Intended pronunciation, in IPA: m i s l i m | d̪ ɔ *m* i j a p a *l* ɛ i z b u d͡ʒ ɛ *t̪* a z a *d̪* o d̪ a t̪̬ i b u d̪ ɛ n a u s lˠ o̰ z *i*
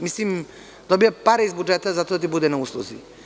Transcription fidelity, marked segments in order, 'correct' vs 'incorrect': incorrect: b, incorrect: ɾ, correct, incorrect: t̪, correct

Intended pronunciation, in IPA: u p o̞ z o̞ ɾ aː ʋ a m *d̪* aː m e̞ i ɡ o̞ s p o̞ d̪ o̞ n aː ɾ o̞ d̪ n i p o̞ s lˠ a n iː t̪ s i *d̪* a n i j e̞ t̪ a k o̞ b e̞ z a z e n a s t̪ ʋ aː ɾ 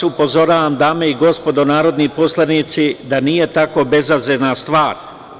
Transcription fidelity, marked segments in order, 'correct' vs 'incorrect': correct, correct

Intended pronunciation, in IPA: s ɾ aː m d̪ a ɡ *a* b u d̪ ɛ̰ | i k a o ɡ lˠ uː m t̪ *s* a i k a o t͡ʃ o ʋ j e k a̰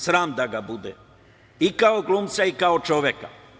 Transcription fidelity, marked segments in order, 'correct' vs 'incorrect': correct, correct

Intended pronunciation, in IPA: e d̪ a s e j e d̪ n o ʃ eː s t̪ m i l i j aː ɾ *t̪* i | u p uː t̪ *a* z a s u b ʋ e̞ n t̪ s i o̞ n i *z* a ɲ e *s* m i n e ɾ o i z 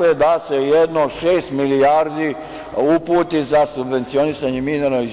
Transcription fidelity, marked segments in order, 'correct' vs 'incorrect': incorrect: d̪, incorrect: i, incorrect: s, incorrect: none

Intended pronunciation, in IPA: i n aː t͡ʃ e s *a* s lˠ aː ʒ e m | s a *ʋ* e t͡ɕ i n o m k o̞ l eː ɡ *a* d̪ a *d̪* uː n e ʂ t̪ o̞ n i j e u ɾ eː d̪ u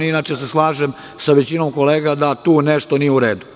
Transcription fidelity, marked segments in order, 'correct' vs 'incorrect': incorrect: e, correct, correct, incorrect: t̪

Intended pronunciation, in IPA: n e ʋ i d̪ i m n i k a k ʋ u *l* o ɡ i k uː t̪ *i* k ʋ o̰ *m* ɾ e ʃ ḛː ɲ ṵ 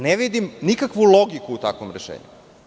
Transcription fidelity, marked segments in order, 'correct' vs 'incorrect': correct, incorrect: a, correct

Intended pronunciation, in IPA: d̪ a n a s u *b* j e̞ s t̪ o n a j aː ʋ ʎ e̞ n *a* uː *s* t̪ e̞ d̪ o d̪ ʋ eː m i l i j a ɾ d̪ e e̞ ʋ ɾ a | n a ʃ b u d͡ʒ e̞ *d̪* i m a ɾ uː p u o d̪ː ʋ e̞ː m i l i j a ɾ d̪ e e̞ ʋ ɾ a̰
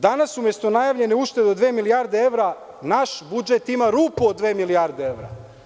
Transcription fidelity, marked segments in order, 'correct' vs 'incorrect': incorrect: m, incorrect: e, incorrect: ʃ, incorrect: t̪

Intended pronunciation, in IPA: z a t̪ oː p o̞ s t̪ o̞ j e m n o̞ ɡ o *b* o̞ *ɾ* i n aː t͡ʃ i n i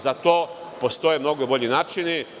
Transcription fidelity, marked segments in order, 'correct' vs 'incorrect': correct, incorrect: ʎ

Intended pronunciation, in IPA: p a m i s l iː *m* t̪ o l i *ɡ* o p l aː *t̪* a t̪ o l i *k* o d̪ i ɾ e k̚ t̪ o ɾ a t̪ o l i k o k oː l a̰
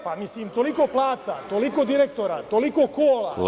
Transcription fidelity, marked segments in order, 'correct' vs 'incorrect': correct, incorrect: k, correct, correct

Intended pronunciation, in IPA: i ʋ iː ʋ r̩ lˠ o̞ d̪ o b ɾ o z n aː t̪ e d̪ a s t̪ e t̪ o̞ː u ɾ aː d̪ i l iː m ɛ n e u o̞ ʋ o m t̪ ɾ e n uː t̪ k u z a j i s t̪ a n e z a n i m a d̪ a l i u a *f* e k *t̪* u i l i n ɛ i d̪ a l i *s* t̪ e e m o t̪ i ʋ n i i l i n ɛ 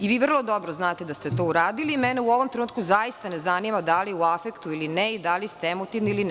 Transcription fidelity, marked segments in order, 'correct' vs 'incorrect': correct, correct, correct

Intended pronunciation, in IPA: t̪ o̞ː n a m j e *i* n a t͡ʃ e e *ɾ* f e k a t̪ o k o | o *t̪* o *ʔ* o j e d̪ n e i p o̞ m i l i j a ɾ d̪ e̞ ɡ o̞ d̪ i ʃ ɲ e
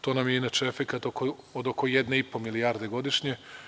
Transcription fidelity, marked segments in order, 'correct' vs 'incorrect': correct, incorrect: none, incorrect: d̪, incorrect: k

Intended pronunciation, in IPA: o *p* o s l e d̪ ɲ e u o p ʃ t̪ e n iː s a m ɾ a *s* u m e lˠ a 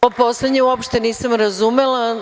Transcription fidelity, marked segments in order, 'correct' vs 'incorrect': correct, incorrect: z

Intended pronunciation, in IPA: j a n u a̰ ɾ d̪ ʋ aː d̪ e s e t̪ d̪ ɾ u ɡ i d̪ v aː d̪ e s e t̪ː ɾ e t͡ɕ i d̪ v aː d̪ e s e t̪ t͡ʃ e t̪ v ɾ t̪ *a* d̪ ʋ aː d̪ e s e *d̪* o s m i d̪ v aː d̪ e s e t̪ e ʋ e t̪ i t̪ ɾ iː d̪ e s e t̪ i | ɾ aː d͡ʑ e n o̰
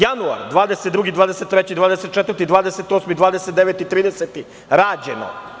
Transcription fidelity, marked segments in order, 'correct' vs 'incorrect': incorrect: i, incorrect: t̪

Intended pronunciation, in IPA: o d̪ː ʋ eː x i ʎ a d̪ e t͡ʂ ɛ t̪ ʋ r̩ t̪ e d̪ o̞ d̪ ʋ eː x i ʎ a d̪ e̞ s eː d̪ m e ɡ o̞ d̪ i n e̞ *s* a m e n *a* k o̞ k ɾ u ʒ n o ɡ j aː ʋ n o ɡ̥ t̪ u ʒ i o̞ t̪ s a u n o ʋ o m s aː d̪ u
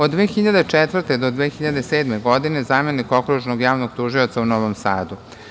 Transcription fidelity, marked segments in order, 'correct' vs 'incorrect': incorrect: z, incorrect: i

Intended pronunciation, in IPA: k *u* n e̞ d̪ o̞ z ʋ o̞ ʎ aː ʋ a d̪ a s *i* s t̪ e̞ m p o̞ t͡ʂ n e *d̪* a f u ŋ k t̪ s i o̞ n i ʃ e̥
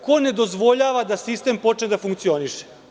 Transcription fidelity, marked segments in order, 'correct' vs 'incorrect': incorrect: o, correct, correct

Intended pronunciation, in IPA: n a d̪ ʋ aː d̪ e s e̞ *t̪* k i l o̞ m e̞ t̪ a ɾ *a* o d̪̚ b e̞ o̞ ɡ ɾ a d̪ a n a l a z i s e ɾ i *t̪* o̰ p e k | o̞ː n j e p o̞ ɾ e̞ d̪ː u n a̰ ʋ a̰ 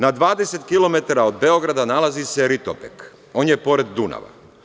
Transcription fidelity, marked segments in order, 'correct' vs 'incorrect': correct, correct, correct

